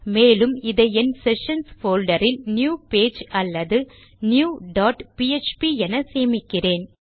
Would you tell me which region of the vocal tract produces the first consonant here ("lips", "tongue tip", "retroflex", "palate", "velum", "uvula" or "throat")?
lips